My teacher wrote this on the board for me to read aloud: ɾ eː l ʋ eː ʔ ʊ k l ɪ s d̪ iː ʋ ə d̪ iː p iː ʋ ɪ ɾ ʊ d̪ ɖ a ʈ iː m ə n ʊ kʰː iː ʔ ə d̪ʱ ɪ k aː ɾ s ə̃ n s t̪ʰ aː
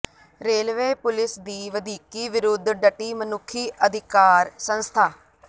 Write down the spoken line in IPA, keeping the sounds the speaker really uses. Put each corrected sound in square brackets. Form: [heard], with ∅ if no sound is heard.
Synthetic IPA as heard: ɾ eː l ʋ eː [p] ʊ [∅] l ɪ s d̪ iː ʋ ə d̪ iː [k] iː ʋ ɪ ɾ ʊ d̪ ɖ [ə] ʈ iː m ə n ʊ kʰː iː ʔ ə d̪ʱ ɪ k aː ɾ s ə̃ n s t̪ʰ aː

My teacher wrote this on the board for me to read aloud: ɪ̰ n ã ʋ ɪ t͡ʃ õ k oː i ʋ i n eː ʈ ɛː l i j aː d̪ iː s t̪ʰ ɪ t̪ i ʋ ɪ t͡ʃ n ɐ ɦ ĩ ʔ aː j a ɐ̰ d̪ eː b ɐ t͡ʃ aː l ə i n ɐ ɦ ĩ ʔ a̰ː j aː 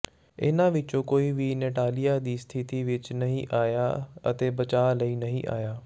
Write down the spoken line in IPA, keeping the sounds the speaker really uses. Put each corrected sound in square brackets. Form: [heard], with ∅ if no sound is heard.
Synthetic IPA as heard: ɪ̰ n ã ʋ ɪ t͡ʃ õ k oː i ʋ i n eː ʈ [aː] l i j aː d̪ iː s t̪ʰ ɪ t̪ i ʋ ɪ t͡ʃ n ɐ ɦ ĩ ʔ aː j a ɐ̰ [t̪] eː b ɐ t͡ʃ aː l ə i n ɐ ɦ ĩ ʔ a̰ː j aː

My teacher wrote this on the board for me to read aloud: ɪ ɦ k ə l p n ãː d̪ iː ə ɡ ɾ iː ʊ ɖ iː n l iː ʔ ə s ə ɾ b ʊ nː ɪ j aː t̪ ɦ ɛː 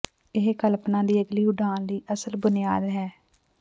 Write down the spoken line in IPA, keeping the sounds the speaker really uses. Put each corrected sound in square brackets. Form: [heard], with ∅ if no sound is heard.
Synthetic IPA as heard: ɪ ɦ k ə l p n ãː d̪ iː ə ɡ [l] iː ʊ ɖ [aː] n l iː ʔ ə s ə [l] b ʊ [n] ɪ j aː [d̪] ɦ ɛː

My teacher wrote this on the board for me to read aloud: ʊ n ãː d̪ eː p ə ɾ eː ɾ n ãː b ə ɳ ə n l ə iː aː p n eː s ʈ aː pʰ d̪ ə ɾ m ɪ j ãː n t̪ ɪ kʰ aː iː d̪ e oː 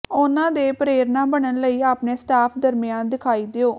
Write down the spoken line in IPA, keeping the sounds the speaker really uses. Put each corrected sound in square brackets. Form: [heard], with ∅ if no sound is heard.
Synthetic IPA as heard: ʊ n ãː d̪ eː p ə ɾ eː ɾ n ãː b ə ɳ ə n l ə iː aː p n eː s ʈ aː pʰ d̪ ə ɾ m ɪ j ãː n [d̪] ɪ kʰ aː iː d̪ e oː

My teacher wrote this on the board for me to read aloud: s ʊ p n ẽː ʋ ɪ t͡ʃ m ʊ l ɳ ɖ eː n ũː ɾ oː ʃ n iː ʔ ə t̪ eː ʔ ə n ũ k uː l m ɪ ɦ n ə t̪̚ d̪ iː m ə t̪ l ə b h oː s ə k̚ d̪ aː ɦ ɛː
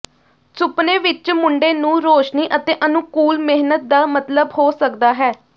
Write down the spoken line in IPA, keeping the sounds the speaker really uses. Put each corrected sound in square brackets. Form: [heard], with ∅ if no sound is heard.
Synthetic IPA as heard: s ʊ p n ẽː ʋ ɪ t͡ʃ m ʊ [∅] ɳ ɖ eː n ũː ɾ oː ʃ n iː ʔ ə t̪ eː ʔ ə n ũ k uː l m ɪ ɦ n ə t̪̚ d̪ [aː] m ə t̪ l ə b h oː s ə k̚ d̪ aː ɦ ɛː

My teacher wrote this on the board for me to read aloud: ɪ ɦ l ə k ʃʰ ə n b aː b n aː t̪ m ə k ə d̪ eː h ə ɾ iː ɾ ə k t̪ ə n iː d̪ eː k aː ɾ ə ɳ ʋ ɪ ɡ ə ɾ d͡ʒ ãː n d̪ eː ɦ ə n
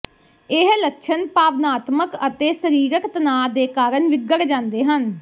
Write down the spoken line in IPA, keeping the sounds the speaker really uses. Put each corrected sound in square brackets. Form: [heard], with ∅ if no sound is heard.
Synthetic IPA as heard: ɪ ɦ l ə k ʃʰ ə n [p] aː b n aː t̪ m ə k ə [t̪] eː [s] ə ɾ iː ɾ ə k t̪ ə n [aː] d̪ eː k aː ɾ ə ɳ ʋ ɪ ɡ ə ɾ d͡ʒ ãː n d̪ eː ɦ ə n

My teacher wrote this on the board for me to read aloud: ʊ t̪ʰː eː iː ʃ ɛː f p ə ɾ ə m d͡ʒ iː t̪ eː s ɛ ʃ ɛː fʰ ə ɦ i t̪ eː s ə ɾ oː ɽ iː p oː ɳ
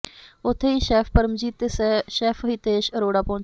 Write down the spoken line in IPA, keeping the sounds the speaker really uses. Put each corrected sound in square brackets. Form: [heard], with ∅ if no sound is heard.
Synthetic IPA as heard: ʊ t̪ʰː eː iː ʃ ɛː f p ə ɾ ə m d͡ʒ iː t̪ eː s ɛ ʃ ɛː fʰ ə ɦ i t̪ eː [ʃ] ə ɾ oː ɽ [aː] p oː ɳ

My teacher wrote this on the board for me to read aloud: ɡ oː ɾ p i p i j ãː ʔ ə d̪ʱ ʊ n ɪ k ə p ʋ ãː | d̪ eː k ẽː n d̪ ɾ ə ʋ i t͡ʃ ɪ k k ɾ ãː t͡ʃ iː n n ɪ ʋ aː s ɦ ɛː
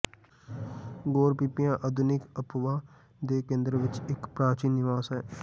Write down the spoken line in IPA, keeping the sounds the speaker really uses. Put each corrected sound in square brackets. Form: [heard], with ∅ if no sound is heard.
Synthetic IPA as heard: ɡ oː ɾ p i p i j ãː ʔ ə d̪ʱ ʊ n ɪ k ə p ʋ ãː | d̪ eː k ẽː n d̪ ɾ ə ʋ [ɪ] t͡ʃ ɪ k [p] ɾ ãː t͡ʃ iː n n ɪ ʋ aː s ɦ ɛː

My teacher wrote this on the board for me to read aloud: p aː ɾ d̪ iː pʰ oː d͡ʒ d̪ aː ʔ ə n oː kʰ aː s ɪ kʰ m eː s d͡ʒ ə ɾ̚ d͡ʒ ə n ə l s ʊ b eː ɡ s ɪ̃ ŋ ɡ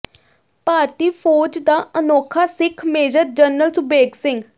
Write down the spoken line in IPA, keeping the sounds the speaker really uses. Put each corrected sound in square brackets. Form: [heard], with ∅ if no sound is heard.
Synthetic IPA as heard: p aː ɾ [t̪] iː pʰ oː d͡ʒ d̪ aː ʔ ə n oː kʰ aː s ɪ kʰ m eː [∅] d͡ʒ ə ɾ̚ d͡ʒ ə n ə l s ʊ b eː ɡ s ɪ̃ ŋ ɡ

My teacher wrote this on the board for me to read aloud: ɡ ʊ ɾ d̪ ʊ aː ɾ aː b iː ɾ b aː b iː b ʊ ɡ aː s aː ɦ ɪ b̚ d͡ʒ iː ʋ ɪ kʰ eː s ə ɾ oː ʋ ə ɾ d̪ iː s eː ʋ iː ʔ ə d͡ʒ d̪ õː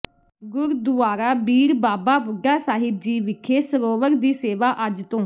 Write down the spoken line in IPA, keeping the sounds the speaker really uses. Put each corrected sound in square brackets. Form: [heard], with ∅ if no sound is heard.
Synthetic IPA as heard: ɡ ʊ ɾ d̪ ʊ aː ɾ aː b iː ɾ b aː b [aː] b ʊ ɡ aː s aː ɦ ɪ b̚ d͡ʒ iː ʋ ɪ kʰ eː s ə ɾ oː ʋ ə ɾ d̪ iː s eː ʋ [aː] ʔ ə d͡ʒ [t̪] õː

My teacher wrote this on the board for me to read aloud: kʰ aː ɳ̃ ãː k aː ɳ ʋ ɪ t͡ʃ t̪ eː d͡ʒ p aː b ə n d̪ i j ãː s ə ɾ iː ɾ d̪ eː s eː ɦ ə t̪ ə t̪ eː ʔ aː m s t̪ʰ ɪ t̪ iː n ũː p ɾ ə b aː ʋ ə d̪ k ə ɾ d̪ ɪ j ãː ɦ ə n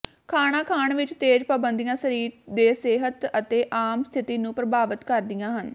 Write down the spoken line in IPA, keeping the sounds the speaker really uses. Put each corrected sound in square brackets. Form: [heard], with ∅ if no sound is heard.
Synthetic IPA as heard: kʰ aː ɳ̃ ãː [kʰ] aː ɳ ʋ ɪ t͡ʃ t̪ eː d͡ʒ p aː b ə n d̪ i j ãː s ə ɾ iː ɾ d̪ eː s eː ɦ ə t̪ ə t̪ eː ʔ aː m s t̪ʰ ɪ t̪ iː n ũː p ɾ ə b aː ʋ ə [t̪] k ə ɾ d̪ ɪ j ãː ɦ ə n

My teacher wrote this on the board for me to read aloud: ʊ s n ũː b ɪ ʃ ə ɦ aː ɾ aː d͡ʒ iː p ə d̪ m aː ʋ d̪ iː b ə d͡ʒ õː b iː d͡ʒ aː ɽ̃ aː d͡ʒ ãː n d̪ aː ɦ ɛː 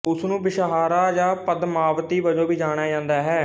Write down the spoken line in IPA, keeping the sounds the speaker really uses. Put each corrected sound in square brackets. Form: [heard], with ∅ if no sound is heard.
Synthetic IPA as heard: ʊ s n ũː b ɪ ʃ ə ɦ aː ɾ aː d͡ʒ [aː] p ə d̪ m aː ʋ [t̪] iː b ə d͡ʒ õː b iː d͡ʒ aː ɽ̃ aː d͡ʒ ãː n d̪ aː ɦ ɛː

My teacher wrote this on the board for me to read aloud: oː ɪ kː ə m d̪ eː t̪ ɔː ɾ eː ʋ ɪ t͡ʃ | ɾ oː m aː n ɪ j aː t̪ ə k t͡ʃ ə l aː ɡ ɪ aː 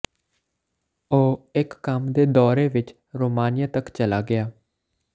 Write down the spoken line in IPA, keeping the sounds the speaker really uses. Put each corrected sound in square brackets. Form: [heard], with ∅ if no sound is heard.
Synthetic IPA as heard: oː ɪ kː ə m d̪ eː [d̪] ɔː ɾ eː ʋ ɪ t͡ʃ | ɾ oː m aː n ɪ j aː t̪ ə k t͡ʃ ə l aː ɡ ɪ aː

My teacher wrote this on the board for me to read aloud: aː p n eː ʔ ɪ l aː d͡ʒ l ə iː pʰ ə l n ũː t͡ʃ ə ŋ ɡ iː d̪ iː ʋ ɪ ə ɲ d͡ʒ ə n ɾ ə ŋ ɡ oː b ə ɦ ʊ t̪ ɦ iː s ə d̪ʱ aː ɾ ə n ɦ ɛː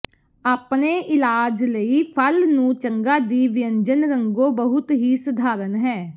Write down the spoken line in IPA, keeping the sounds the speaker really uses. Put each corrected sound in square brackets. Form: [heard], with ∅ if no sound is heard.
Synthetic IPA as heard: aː p n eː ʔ ɪ l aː d͡ʒ l ə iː pʰ ə l n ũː t͡ʃ ə ŋ ɡ [aː] d̪ iː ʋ ɪ ə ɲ d͡ʒ ə n ɾ ə ŋ ɡ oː b ə ɦ ʊ t̪ ɦ iː s ə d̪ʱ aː ɾ ə n ɦ ɛː

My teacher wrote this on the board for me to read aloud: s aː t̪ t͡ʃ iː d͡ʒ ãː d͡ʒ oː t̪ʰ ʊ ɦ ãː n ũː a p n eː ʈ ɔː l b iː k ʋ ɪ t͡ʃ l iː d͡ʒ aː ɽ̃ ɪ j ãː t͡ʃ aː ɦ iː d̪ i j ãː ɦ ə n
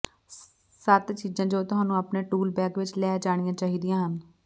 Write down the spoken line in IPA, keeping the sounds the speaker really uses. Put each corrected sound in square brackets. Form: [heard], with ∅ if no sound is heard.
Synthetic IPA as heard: s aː t̪ t͡ʃ iː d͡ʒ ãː d͡ʒ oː [t̪] ʊ ɦ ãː n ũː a p n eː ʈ [uː] l b [ɛː] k ʋ ɪ t͡ʃ l [ɛː] d͡ʒ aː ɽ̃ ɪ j ãː t͡ʃ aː ɦ iː d̪ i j ãː ɦ ə n

